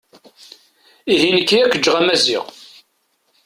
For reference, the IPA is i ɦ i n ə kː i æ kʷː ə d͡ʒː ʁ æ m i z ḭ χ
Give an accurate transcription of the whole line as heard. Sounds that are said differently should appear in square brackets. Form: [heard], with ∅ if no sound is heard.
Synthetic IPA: i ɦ i n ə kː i æ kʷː ə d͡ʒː ʁ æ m [æ] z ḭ [ʁ]

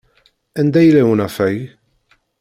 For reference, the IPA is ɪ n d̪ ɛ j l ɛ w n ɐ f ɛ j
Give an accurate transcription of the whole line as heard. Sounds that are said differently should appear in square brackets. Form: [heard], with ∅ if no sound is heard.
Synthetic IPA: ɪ n d̪ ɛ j l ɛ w n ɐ f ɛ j

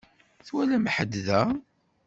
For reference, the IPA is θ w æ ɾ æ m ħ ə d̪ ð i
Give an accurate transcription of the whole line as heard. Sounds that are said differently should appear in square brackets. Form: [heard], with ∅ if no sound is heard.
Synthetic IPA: θ w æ [l] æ m ħ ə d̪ ð [æ]

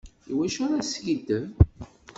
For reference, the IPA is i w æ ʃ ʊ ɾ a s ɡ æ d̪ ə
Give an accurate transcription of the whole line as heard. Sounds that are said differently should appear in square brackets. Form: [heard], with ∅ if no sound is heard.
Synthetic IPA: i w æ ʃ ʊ ɾ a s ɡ [i] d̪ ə

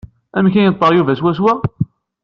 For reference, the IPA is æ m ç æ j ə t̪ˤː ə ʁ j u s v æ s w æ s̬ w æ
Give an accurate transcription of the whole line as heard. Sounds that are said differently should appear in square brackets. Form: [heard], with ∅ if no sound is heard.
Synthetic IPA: æ m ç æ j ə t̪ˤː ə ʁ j u [∅] v æ s w æ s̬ w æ

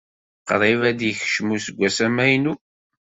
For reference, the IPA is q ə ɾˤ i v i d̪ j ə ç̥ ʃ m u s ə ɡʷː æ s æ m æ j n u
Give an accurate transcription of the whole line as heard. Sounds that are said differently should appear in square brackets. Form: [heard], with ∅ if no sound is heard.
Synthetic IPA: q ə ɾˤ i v [æ] d̪ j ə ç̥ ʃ m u s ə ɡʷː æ s æ m æ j n u

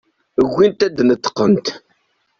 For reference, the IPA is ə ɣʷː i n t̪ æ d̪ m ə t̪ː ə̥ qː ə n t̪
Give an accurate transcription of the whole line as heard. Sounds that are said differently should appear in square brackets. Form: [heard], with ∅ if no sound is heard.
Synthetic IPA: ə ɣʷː i n t̪ æ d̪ [n] ə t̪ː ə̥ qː ə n t̪

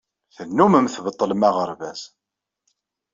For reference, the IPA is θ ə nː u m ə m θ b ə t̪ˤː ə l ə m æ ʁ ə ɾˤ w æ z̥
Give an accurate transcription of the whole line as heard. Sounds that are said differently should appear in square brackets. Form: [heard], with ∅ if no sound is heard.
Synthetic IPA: θ ə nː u m ə m θ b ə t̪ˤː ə l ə m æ ʁ ə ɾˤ [v] æ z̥

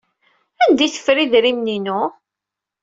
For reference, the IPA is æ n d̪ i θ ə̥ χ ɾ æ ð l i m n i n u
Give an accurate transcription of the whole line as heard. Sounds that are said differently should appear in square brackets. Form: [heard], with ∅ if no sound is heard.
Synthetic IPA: æ n d̪ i θ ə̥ [f] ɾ [i] ð [ɾ] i m n i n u

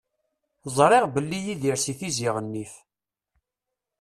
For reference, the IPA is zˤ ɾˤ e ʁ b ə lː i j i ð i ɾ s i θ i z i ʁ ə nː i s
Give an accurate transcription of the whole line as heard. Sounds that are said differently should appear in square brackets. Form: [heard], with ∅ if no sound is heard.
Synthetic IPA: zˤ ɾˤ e ʁ b ə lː i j i ð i ɾ s i θ i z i ʁ ə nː i [f]

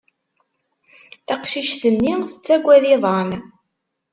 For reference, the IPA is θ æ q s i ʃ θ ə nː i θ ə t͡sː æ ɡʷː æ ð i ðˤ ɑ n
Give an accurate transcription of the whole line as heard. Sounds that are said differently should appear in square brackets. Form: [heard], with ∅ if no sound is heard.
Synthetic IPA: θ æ q [ʃ] i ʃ θ ə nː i θ ə t͡sː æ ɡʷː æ ð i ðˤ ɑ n

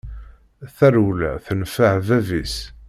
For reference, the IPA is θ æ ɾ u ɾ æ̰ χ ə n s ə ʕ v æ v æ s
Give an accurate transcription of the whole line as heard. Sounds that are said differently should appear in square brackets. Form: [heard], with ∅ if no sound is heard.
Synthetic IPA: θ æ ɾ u [l] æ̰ [θ] ə n [f] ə ʕ v æ v [i] s

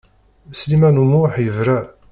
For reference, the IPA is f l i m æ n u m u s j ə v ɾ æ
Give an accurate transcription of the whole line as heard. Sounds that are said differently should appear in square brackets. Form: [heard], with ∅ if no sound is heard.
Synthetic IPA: [s] l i m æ n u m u [ħ] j ə v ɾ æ

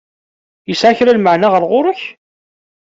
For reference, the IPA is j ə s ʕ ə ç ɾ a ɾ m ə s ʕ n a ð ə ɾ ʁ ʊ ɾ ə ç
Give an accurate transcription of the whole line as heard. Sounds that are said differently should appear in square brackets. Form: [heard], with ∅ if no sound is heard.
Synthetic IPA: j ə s ʕ [a] ç ɾ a [l] m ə [∅] ʕ n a [ʁ] ə ɾ ʁ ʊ ɾ ə ç

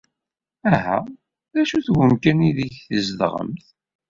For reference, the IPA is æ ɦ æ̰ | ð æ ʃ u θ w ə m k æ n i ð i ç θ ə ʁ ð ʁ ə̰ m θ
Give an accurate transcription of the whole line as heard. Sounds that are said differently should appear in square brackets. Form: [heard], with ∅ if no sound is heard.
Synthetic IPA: æ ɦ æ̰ | ð æ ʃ u θ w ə m k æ n i ð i ç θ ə [z] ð ʁ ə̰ m θ

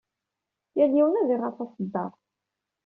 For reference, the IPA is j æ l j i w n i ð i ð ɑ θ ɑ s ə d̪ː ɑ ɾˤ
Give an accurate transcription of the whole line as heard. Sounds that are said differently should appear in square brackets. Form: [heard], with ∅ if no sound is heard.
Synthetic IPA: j æ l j i w n [æ] ð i [ʁ] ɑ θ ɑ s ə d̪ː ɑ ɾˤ

